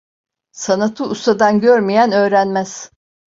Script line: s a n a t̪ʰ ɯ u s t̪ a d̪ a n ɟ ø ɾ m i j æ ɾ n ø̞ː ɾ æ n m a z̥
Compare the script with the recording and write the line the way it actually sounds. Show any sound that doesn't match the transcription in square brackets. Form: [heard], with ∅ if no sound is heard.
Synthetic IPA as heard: s a n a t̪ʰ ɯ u s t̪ a d̪ a n ɟ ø ɾ m i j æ [∅] n ø̞ː ɾ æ n m [æ] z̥